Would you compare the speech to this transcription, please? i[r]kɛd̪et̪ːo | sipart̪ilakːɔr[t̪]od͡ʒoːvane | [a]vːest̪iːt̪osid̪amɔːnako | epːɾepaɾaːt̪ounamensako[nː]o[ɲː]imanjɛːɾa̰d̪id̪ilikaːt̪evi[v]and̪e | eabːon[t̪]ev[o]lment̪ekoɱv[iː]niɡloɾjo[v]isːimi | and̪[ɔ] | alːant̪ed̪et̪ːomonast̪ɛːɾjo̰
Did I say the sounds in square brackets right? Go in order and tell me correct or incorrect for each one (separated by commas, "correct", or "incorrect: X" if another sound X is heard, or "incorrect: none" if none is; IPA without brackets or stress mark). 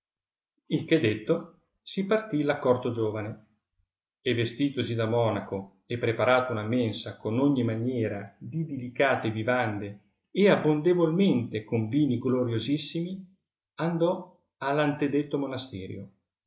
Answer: incorrect: l, correct, incorrect: e, incorrect: n, correct, correct, incorrect: d̪, correct, correct, incorrect: z, correct